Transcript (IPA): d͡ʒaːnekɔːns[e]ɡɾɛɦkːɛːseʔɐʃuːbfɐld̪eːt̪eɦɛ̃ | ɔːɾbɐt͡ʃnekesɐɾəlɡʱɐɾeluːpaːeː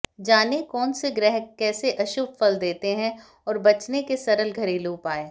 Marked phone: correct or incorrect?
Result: correct